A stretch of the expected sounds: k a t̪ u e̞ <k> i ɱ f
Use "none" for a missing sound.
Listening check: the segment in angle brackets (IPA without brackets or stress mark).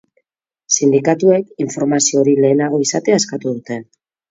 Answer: k